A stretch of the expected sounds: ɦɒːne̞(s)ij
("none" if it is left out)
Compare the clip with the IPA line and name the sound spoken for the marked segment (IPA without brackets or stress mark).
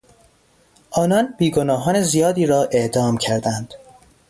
z